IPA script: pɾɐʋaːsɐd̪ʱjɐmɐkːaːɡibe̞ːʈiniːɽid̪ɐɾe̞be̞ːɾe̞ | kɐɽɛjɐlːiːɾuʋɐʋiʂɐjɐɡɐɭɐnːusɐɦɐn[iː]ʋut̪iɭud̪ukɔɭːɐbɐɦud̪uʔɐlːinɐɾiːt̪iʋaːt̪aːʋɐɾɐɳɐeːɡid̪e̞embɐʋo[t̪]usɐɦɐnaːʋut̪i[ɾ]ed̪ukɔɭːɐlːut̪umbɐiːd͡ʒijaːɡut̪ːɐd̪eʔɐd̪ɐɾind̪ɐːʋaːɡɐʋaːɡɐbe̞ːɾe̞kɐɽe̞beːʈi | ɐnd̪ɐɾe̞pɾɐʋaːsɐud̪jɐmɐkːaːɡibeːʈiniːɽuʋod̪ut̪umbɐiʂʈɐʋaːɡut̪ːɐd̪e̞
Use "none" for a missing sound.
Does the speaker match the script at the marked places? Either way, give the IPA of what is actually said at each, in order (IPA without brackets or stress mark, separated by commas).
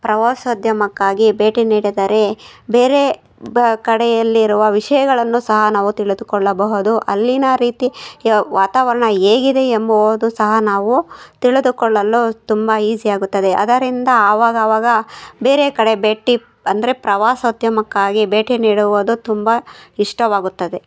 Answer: aː, d̪, ɭ